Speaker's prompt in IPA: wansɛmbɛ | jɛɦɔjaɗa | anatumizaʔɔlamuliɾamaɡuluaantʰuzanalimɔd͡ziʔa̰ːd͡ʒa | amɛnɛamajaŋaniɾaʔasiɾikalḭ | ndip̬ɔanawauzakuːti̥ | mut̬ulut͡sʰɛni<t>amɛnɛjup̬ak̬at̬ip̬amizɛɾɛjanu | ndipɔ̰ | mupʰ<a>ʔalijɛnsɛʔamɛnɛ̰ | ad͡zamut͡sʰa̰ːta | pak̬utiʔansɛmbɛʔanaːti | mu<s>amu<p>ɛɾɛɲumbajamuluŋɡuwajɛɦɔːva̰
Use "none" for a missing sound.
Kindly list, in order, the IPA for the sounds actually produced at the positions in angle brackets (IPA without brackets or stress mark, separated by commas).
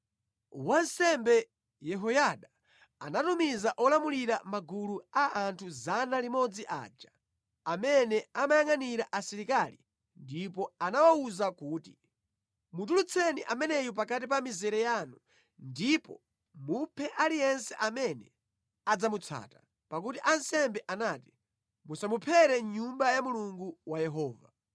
ʔ, ɛ, s, pʰ